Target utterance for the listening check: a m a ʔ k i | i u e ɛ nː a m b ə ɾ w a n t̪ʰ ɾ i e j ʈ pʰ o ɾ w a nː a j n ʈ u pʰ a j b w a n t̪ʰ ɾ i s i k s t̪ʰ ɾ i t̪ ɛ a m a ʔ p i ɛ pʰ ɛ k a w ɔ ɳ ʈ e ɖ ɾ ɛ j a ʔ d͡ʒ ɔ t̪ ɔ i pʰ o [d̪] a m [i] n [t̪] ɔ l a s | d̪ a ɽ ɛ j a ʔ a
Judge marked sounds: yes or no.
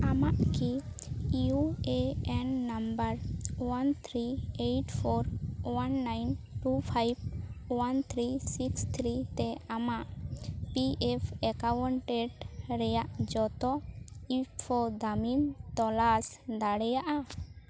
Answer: yes, yes, yes

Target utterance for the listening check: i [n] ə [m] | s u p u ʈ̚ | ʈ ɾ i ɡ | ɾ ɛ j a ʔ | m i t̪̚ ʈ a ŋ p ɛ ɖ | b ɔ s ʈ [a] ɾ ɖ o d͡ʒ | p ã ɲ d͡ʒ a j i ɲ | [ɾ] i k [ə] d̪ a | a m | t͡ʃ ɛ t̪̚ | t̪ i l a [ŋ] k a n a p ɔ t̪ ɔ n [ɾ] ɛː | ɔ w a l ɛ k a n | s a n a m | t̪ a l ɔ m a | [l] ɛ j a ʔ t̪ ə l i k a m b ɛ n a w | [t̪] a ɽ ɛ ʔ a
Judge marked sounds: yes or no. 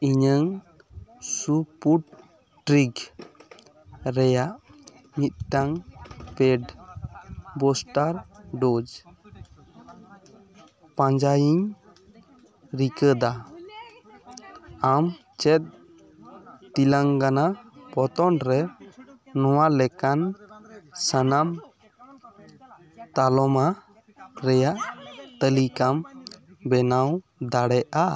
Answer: no, no, yes, yes, yes, yes, yes, no, no

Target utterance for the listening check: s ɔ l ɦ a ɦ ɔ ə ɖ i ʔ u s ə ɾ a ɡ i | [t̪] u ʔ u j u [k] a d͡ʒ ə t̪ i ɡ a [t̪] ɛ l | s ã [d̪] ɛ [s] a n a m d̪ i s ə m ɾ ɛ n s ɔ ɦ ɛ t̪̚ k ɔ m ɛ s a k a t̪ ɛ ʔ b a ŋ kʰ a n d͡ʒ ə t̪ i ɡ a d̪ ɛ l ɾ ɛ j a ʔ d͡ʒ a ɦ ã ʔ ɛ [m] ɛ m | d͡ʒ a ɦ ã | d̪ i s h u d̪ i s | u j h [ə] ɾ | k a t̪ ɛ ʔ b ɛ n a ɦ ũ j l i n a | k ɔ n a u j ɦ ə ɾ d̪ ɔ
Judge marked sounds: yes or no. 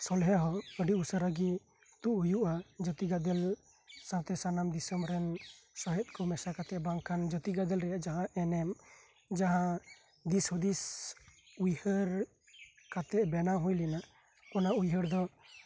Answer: yes, no, no, no, yes, no, yes

